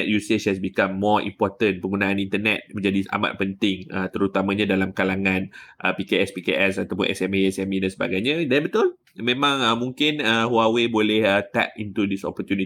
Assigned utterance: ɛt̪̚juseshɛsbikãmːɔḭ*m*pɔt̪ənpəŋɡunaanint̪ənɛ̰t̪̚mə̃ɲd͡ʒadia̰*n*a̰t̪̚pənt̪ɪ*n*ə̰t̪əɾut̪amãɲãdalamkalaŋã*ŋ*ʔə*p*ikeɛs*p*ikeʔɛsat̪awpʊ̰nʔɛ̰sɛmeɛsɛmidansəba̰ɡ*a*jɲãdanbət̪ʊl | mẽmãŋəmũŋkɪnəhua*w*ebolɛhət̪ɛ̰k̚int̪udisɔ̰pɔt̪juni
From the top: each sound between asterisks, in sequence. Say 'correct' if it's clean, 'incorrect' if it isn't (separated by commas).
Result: correct, incorrect, incorrect, incorrect, correct, correct, correct, correct